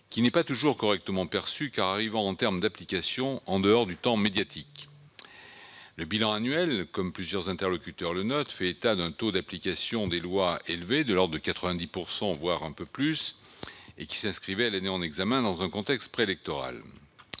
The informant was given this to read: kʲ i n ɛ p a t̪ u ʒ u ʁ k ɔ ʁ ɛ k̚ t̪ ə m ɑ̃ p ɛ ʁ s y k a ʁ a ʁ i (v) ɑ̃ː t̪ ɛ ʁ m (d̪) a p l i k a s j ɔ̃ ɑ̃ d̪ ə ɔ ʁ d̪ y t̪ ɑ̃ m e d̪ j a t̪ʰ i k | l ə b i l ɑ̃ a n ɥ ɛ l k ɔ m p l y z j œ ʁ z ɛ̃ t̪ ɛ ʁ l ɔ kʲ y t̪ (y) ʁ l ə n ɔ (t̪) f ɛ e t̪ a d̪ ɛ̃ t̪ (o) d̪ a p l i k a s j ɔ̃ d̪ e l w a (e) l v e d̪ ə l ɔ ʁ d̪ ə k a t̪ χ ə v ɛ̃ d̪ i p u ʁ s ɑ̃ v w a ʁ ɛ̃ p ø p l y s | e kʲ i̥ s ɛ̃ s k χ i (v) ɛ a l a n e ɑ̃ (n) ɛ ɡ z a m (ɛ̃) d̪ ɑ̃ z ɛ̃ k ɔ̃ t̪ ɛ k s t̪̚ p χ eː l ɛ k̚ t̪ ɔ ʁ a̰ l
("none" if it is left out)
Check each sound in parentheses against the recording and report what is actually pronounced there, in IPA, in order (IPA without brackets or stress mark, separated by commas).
v, d̪, œ, t̪, o, e, v, n, ɛ̃